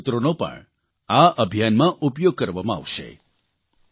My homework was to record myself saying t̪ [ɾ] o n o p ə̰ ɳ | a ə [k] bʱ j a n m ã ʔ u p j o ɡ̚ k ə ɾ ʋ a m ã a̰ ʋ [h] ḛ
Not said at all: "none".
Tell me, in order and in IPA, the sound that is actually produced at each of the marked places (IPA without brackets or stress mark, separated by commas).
ɾ, none, ʃ